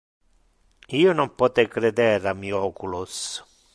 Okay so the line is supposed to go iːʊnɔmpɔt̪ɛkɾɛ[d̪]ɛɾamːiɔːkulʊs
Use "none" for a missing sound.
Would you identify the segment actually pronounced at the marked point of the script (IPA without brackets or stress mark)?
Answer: d̪